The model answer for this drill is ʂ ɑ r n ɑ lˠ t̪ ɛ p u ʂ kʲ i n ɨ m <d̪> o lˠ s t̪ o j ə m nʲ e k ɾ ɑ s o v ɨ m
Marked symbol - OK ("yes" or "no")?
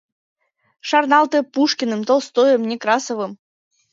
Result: no